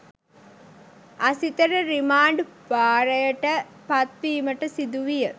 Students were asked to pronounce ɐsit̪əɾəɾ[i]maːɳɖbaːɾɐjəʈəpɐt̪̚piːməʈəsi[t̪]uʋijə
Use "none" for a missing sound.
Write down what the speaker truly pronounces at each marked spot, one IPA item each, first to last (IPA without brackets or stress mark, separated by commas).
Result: i, d̪